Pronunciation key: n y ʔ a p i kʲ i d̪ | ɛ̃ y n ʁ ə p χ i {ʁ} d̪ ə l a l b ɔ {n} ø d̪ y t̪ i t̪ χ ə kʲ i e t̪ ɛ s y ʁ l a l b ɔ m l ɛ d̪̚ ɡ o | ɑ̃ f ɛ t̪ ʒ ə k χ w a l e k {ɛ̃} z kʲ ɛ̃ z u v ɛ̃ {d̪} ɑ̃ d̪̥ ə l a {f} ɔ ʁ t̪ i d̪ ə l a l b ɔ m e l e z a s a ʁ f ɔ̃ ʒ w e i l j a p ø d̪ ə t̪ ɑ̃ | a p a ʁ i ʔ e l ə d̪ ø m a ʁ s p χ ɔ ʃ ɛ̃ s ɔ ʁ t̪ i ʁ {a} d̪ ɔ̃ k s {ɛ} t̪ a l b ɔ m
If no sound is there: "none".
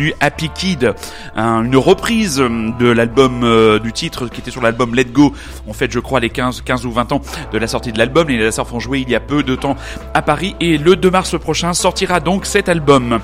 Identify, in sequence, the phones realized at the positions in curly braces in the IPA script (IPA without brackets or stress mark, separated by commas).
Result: z, m, ɛ̃, t̪, s, a, ɛ